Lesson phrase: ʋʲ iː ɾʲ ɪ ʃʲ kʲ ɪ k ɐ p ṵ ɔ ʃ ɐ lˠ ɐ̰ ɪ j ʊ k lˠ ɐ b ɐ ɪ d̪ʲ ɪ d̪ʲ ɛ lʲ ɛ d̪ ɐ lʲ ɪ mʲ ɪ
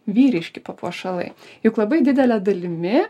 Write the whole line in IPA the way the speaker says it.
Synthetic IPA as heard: ʋʲ iː ɾʲ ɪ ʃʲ kʲ ɪ p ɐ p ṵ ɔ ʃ ɐ lˠ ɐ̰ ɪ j ʊ k lˠ ɐ b ɐ ɪ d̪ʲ ɪ d̪ʲ ɛ lʲ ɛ d̪ ɐ lʲ ɪ mʲ ɪ